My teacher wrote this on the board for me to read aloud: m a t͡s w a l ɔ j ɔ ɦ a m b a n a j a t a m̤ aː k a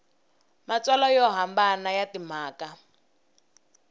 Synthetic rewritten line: m a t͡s w a l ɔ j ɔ ɦ a m b a n a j a t i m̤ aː k a